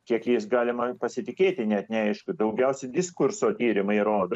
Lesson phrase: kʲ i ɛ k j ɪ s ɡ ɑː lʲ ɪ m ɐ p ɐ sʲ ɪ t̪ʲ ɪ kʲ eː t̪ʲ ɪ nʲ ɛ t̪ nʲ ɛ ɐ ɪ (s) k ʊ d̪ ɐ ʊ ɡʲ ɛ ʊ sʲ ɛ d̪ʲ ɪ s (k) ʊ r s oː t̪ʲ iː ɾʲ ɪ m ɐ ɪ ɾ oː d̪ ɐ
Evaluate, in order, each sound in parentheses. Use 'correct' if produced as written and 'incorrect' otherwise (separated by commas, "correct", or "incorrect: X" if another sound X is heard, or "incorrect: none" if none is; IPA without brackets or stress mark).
incorrect: ʃ, correct